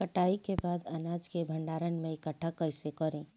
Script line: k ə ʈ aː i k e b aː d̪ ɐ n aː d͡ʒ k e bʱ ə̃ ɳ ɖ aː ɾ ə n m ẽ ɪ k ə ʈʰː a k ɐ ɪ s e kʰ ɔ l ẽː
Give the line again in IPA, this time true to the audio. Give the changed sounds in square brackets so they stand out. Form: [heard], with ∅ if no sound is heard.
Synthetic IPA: k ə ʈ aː i k e b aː d̪ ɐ n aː d͡ʒ k e bʱ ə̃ ɳ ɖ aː ɾ ə n m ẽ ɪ k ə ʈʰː a k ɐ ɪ s e [k] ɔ [ɾ] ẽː